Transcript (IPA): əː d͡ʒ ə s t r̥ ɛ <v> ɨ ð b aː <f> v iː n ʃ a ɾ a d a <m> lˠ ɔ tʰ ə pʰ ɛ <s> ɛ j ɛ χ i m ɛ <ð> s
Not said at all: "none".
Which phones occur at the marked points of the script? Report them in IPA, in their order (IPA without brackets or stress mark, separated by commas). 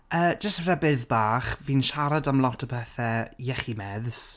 b, χ, m, θ, ð